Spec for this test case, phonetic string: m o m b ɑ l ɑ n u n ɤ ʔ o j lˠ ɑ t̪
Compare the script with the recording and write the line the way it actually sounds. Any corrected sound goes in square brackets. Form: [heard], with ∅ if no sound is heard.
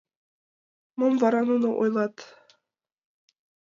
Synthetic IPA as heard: m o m [v] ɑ [ɾ] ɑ n u n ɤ ʔ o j lˠ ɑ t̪